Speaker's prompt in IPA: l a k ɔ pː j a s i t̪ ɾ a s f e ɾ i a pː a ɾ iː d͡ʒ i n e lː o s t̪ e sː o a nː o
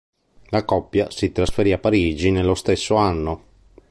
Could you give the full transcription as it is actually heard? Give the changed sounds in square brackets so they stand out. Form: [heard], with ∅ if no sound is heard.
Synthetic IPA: l a k ɔ pː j a s i t̪ ɾ a s f e ɾ i a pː a ɾ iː d͡ʒ i n e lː o s t̪ e sː o a nː o